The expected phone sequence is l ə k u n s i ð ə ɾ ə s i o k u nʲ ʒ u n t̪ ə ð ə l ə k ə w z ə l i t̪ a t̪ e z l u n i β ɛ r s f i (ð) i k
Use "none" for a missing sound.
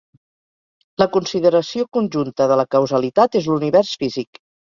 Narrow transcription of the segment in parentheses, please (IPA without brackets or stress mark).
z